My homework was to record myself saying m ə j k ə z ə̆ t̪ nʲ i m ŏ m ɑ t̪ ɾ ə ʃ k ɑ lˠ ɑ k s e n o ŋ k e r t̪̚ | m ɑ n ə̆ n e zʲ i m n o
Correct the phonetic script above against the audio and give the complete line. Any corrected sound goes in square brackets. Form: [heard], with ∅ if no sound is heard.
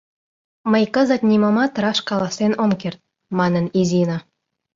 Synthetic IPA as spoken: m ə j k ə z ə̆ t̪ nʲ i m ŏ m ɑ t̪ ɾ [ɑ] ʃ k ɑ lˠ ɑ [∅] s e n o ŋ k e r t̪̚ | m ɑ n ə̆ n [i] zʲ i [∅] n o